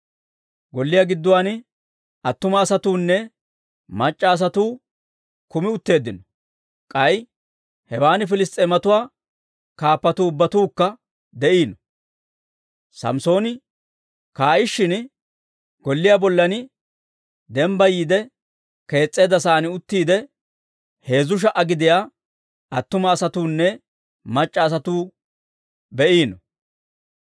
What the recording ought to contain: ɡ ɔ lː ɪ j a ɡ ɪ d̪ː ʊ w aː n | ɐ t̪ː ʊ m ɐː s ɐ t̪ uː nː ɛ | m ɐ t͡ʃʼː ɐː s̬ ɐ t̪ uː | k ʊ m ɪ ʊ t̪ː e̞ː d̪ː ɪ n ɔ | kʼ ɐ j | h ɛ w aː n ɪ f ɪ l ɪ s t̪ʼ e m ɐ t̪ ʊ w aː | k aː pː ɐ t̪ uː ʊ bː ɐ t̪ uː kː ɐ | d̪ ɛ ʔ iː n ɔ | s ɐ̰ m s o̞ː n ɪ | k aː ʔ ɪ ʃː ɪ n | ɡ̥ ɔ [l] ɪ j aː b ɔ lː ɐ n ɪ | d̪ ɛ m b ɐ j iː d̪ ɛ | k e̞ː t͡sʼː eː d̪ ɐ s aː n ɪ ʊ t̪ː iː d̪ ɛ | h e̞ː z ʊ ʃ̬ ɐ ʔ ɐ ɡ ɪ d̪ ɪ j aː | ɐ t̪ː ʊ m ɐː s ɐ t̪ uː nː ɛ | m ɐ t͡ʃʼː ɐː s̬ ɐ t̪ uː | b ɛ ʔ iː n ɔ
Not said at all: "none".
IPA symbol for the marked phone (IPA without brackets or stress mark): lː